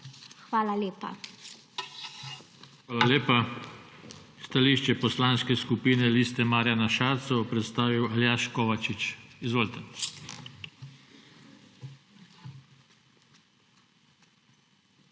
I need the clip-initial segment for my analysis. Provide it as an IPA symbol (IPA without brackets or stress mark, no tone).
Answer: x